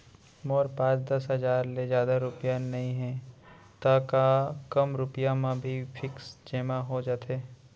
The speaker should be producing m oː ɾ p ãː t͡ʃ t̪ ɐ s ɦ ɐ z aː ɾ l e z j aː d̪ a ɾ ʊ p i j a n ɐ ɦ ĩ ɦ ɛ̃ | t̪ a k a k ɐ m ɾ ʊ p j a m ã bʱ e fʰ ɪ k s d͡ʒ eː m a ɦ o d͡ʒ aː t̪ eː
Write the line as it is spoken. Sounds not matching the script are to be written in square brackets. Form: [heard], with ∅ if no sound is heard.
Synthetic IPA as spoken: m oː ɾ p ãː t͡ʃ [d̪] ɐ s ɦ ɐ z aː ɾ l e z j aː d̪ a ɾ ʊ p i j a n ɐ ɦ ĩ ɦ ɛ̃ | t̪ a k a k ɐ m ɾ ʊ p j a m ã bʱ [i] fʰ ɪ k s d͡ʒ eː m a ɦ o d͡ʒ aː t̪ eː